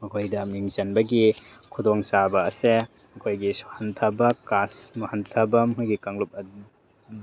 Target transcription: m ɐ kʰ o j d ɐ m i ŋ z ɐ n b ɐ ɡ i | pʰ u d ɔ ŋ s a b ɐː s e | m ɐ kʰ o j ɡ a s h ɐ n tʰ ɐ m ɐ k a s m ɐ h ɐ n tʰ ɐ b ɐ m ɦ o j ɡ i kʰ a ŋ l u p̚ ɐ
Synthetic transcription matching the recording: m ɐ kʰ o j d ɐ m i ŋ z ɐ n b ɐ ɡ i | kʰ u d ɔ ŋ s a b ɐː s e | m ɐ kʰ o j ɡ i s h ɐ n tʰ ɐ b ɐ k a s m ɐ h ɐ n tʰ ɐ b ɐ m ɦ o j ɡ i k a ŋ l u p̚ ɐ